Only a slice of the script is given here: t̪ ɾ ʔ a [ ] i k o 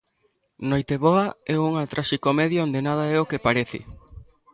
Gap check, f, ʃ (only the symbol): ʃ